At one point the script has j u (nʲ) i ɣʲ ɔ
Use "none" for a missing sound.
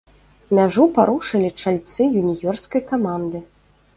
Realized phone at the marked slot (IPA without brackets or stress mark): nʲ